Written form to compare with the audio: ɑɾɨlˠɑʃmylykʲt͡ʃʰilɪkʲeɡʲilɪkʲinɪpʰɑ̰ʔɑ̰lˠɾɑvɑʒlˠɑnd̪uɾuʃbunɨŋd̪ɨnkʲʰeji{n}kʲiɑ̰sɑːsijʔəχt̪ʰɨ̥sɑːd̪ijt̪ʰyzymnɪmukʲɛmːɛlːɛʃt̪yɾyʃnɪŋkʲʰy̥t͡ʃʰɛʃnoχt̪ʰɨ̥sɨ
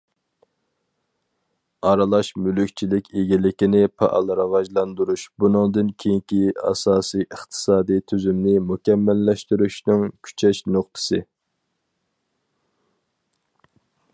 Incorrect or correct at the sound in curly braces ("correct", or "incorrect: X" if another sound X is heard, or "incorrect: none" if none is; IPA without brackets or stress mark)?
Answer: incorrect: ŋ